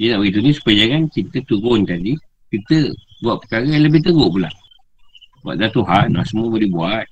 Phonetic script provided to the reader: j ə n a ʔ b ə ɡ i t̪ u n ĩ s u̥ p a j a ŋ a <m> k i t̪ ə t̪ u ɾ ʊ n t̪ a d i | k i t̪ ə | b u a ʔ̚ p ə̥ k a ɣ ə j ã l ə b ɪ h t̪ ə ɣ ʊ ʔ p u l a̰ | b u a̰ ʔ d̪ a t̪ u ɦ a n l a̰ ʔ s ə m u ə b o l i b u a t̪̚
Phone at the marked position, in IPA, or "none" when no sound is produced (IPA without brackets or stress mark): n